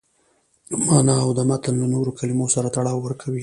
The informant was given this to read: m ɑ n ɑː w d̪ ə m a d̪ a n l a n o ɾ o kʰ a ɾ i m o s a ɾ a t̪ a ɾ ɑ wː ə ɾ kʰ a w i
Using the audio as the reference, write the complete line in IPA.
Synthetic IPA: m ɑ n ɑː w d̪ ə m a t̪ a n l a n o ɾ o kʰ a l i m o s a ɾ a t̪ a ɽ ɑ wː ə ɾ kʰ a w i